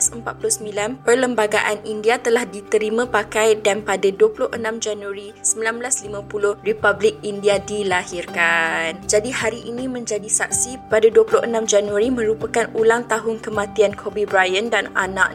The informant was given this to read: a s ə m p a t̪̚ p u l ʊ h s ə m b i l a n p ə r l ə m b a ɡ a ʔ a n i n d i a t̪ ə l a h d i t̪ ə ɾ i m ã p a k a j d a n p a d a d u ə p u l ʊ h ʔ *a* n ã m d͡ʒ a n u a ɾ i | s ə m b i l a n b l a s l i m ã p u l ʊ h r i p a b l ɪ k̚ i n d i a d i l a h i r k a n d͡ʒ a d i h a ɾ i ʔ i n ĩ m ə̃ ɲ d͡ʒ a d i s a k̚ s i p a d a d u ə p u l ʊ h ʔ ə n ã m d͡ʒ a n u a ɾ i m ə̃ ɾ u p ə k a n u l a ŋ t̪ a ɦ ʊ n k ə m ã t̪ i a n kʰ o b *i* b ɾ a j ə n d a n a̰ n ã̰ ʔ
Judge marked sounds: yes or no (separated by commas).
no, yes